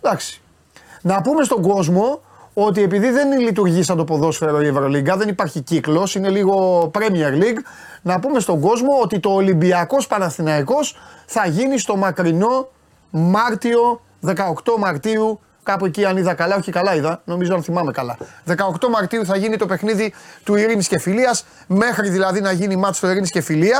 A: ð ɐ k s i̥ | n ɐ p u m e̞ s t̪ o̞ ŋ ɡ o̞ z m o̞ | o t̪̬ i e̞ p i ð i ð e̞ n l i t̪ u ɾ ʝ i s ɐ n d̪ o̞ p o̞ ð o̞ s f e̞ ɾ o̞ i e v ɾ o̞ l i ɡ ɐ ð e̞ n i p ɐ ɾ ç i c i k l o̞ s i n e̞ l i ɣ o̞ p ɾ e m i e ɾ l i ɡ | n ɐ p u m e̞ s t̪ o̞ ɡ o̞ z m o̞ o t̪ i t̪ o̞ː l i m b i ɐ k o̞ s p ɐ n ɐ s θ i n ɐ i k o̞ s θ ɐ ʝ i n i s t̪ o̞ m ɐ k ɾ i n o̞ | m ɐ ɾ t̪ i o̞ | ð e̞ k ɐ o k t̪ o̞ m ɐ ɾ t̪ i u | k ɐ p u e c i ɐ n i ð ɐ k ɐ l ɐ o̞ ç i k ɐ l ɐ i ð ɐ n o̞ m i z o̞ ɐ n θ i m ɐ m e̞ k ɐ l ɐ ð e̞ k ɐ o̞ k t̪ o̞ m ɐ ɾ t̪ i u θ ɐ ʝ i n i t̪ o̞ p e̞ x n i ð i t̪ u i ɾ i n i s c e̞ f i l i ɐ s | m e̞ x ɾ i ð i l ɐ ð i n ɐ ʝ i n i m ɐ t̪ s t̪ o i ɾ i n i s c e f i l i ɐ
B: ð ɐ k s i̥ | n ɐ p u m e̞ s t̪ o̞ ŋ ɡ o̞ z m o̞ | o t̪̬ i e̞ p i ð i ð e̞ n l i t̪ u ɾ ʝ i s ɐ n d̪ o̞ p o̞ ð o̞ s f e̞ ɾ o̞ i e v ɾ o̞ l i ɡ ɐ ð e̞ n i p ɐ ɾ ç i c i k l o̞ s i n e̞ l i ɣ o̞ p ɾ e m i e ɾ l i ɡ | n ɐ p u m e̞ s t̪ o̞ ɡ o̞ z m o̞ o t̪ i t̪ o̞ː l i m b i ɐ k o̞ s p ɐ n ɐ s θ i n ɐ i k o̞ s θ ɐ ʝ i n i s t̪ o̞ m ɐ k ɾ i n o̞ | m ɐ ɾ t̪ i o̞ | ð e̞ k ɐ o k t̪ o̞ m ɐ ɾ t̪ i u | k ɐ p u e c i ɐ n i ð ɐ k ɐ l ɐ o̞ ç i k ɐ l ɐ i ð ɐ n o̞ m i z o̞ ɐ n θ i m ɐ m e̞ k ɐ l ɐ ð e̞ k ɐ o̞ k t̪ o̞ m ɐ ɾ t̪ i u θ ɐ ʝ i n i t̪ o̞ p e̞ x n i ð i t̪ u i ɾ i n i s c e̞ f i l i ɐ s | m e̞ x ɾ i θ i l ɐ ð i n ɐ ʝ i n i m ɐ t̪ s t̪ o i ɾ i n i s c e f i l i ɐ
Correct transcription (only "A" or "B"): A